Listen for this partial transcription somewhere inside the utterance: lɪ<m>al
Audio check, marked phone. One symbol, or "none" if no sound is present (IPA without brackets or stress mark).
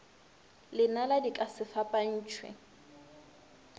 n